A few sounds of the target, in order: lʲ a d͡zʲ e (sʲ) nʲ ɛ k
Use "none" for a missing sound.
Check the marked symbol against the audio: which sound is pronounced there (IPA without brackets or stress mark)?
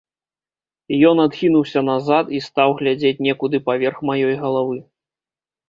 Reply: t͡sʲ